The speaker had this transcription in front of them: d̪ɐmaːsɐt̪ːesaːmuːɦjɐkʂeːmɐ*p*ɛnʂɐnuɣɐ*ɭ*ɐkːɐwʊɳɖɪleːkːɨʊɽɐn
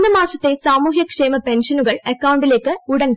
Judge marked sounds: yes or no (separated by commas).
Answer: yes, yes